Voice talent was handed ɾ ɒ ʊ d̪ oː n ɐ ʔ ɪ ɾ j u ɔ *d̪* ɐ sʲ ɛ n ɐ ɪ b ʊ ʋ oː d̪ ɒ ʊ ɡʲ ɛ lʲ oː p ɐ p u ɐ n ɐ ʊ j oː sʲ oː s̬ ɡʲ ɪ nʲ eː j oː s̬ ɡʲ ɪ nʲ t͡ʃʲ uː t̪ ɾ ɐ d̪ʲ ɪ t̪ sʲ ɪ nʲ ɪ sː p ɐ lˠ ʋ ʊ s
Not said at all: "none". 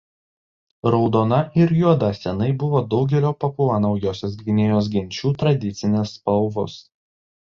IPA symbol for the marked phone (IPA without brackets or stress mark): d̪